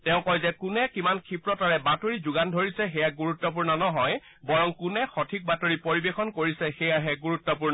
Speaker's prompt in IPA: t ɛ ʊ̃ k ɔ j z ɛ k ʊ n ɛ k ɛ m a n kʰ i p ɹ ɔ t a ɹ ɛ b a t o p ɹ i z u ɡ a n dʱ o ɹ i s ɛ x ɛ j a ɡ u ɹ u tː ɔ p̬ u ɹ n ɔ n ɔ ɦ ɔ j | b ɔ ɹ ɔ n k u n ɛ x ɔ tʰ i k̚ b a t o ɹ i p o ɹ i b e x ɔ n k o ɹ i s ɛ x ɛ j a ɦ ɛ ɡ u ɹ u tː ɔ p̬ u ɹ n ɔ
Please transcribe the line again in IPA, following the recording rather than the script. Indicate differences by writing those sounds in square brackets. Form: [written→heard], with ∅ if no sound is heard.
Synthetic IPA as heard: t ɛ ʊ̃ k ɔ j z ɛ k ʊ n ɛ k [ɛ→i] m a n kʰ i p ɹ ɔ t a ɹ ɛ b a t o [p→∅] ɹ i z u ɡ a n dʱ o ɹ i s ɛ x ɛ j a ɡ u ɹ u tː ɔ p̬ u ɹ n ɔ n ɔ ɦ ɔ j | b ɔ ɹ ɔ [n→ŋ] k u n ɛ x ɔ tʰ i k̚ b a t o ɹ i p o ɹ i b e x ɔ n k o ɹ i s ɛ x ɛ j a ɦ ɛ ɡ u ɹ u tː ɔ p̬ u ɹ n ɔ

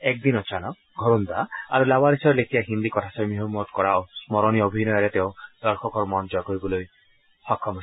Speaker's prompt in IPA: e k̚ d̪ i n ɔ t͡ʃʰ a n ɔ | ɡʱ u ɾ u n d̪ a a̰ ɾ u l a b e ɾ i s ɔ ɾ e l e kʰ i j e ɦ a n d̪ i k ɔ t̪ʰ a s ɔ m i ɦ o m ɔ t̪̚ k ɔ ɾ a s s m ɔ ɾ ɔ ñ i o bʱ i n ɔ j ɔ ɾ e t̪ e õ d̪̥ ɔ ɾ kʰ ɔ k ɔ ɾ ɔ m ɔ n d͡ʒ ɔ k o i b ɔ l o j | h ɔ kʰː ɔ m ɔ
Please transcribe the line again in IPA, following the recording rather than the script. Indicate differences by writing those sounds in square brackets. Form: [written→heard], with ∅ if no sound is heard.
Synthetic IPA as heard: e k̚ d̪ i n ɔ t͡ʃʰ a n ɔ | ɡʱ [u→ɔ] ɾ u n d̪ a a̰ ɾ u l a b [e→a] ɾ i s ɔ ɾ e l e kʰ i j [e→a] ɦ [a→i] n d̪ i k ɔ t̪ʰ a s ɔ m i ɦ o m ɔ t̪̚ k ɔ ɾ a s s m ɔ ɾ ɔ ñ i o bʱ i n ɔ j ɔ ɾ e t̪ e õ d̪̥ ɔ ɾ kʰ ɔ k ɔ ɾ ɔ m ɔ n d͡ʒ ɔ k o i b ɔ l o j | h ɔ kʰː ɔ m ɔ

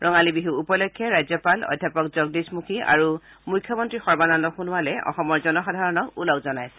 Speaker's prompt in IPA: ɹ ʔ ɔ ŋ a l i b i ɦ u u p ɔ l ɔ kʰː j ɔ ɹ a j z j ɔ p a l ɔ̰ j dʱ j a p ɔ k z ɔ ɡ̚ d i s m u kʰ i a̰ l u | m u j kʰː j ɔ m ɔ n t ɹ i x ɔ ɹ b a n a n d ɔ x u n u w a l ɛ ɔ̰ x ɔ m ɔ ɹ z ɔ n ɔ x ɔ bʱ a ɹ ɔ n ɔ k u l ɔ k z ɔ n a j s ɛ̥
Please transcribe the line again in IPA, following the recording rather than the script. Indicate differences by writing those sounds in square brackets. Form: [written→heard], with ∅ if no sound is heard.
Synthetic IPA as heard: ɹ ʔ ɔ ŋ a l i b i ɦ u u p ɔ l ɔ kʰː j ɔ ɹ a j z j ɔ p a l ɔ̰ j dʱ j a p ɔ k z ɔ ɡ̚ d i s m u kʰ i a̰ [l→ɹ] u | m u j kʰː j ɔ m ɔ n t ɹ i x ɔ ɹ b a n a n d ɔ x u n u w a l ɛ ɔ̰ x ɔ m ɔ ɹ z ɔ n ɔ x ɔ [bʱ→dʱ] a ɹ ɔ n ɔ k u l ɔ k z ɔ n a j s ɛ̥

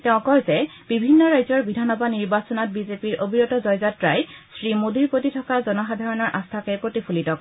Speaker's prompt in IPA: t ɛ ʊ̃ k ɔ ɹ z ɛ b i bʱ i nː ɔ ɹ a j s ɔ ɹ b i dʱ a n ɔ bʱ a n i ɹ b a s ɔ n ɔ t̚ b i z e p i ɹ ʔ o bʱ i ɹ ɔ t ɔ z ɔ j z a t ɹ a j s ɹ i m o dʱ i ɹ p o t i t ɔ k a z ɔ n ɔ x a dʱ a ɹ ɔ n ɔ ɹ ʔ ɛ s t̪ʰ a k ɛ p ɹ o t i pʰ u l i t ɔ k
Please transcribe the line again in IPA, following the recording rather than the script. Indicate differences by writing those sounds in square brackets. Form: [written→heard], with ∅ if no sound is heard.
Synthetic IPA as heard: t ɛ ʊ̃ k ɔ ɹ z ɛ b i bʱ i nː ɔ ɹ a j [s→z] ɔ ɹ b i dʱ a n ɔ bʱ a n i ɹ b a s ɔ n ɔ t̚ b i z e p i ɹ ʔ o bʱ i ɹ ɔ t ɔ z ɔ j z a t ɹ a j s ɹ i m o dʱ i ɹ p o t i [t→tʰ] ɔ k a z ɔ n ɔ x a dʱ a ɹ ɔ n ɔ ɹ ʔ [ɛ→a] s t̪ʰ a k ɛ p ɹ o t i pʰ u l i t ɔ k

